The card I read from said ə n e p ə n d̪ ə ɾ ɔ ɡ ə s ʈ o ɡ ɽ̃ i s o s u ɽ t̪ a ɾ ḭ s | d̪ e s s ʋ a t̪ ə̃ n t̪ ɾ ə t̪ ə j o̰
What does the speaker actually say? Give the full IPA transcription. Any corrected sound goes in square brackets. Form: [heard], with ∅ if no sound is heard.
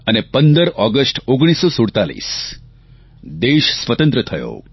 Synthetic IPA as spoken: ə n e p ə n d̪ ə ɾ ɔ ɡ ə s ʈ o ɡ ɽ̃ i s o s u ɽ t̪ a [l] ḭ s | d̪ e [ʃ] s ʋ [ə] t̪ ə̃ n t̪ ɾ ə [t̪ʰ] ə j o̰

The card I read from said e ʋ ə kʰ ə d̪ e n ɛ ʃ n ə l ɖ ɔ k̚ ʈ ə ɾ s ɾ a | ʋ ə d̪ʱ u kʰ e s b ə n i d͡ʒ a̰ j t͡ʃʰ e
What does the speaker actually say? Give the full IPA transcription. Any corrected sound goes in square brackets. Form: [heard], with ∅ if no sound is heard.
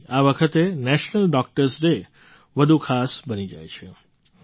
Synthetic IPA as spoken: [a] ʋ ə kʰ ə [t̪] e n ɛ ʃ n ə l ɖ ɔ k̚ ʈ ə ɾ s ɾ [e] | ʋ ə d̪ʱ u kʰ [a] s b ə n i d͡ʒ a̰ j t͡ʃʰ e

